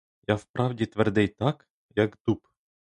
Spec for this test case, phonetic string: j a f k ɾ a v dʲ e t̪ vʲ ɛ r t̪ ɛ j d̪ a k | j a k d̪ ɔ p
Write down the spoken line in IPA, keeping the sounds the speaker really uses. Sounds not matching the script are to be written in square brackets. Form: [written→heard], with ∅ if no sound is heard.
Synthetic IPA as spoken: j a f [k→p] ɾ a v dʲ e t̪ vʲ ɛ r [t̪→d̪] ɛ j [d̪→t̪] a k | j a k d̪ [ɔ→u] p